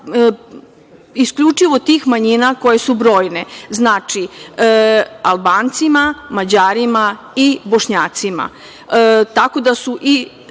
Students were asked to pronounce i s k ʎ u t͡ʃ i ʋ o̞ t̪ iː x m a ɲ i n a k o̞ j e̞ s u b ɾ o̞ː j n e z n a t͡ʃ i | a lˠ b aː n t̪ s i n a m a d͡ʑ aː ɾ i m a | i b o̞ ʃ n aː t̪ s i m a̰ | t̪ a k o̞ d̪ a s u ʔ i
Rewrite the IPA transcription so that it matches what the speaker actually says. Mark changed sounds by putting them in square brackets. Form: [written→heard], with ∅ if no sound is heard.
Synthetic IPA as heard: i s k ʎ u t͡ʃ i ʋ o̞ t̪ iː x m a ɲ i n a k o̞ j e̞ s u b ɾ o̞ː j n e z n a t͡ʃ i | a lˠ b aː n t̪ s i [n→m] a m a d͡ʑ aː ɾ i m a | i b o̞ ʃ [n→ɲ] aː t̪ s i m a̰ | t̪ a k o̞ d̪ a s u ʔ i